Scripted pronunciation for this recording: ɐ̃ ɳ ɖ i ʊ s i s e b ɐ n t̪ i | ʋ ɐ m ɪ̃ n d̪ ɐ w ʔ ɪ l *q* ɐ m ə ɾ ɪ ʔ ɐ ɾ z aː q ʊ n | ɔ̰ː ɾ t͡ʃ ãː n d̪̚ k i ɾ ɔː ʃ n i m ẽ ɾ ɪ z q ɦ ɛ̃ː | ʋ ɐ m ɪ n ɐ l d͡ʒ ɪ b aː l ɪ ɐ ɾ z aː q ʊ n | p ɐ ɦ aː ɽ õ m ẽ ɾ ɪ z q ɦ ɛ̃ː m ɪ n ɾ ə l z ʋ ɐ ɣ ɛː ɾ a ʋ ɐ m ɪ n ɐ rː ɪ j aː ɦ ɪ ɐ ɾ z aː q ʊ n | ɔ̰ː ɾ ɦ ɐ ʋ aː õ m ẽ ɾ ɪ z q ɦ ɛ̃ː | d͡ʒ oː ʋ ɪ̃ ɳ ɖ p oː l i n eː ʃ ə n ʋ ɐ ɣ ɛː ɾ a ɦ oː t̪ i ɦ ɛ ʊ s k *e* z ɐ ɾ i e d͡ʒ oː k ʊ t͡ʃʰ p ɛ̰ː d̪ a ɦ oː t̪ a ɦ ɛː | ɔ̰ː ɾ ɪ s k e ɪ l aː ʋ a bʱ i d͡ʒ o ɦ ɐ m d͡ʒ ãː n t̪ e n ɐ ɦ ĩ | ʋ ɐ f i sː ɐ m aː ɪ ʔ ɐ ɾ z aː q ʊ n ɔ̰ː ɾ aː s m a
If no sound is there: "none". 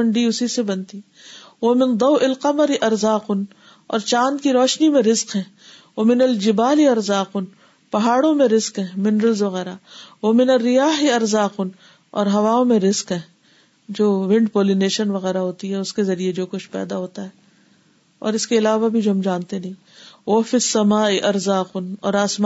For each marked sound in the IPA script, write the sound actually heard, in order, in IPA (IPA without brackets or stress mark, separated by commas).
q, e